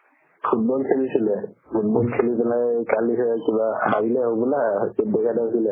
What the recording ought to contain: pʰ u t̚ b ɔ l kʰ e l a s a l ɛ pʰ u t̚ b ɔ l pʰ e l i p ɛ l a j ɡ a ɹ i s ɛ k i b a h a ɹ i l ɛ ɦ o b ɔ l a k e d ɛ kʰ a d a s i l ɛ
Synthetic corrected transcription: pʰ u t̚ b ɔ l kʰ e l i s i l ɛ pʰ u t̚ b ɔ l kʰ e l i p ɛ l a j k a l i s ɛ k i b a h a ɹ i l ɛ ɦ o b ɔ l a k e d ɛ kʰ a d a s i l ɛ